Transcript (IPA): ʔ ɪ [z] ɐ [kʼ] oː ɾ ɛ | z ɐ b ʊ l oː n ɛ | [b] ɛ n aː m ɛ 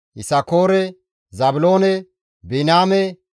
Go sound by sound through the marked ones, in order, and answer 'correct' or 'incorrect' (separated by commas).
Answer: incorrect, incorrect, correct